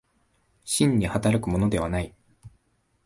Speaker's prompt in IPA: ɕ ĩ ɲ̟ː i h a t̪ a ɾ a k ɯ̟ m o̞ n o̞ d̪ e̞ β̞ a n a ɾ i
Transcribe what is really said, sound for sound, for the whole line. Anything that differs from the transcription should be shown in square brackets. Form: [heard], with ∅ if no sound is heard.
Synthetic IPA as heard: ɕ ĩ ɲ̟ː i h a t̪ a ɾ a k ɯ̟ m o̞ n o̞ d̪ e̞ β̞ a n a [∅] i